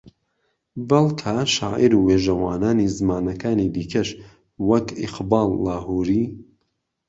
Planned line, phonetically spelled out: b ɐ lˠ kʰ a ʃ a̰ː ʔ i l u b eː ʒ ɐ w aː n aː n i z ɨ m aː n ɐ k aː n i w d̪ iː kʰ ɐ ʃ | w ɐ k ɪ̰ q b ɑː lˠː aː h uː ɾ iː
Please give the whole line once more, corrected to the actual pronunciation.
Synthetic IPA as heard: b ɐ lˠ kʰ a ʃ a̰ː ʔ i ɾ u w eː ʒ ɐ w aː n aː n i z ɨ m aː n ɐ k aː n i d̪ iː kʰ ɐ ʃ | w ɐ k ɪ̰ q b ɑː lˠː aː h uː ɾ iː